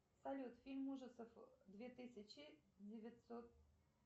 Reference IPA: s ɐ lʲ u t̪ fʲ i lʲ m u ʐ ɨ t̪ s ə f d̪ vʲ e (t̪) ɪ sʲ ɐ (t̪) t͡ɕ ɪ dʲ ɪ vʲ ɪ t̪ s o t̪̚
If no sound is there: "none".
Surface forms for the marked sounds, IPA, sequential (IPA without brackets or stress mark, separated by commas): t̪, none